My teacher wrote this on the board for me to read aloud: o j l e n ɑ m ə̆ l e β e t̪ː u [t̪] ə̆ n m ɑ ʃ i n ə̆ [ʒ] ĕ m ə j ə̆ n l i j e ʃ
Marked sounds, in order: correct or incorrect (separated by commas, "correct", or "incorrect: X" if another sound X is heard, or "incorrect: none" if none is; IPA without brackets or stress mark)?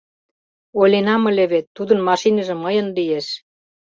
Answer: incorrect: d̪, correct